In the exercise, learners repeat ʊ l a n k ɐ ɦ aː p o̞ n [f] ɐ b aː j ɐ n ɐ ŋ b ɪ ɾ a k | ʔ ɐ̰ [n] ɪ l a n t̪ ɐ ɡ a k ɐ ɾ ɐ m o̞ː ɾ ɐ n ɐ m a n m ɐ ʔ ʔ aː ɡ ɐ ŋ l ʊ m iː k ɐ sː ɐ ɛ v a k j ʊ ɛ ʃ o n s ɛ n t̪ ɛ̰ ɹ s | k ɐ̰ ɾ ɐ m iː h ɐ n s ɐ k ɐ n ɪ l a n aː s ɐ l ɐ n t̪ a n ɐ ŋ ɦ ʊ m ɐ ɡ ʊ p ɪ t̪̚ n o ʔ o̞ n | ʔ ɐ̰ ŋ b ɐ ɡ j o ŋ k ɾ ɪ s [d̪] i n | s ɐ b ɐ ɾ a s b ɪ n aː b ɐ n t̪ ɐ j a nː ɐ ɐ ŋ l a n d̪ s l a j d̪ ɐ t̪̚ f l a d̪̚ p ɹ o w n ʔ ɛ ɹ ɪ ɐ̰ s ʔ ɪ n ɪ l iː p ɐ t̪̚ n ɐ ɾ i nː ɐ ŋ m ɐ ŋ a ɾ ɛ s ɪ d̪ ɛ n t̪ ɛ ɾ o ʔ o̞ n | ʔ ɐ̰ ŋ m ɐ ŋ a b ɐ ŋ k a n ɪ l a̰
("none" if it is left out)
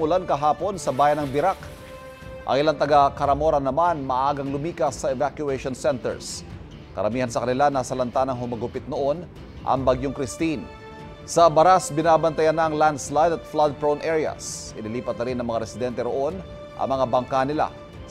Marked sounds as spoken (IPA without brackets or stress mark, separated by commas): s, ŋ, t̪